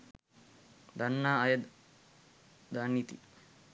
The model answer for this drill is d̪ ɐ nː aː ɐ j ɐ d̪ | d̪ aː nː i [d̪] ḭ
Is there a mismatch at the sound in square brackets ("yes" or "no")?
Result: yes